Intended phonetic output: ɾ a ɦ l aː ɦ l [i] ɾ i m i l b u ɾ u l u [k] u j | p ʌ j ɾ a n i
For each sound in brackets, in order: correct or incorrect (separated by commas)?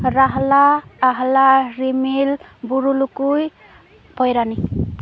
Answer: incorrect, correct